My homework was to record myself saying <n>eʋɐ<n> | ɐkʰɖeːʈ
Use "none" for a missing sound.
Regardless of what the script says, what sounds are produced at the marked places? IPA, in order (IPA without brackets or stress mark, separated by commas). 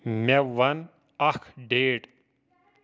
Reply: m, n